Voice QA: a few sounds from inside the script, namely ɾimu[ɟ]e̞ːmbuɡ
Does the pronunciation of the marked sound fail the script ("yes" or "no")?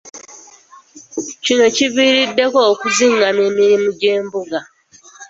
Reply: no